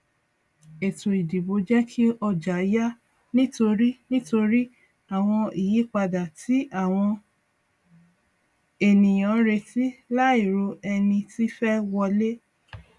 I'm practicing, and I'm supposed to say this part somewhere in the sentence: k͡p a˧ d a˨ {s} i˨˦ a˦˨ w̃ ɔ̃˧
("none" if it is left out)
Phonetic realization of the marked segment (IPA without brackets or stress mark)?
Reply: t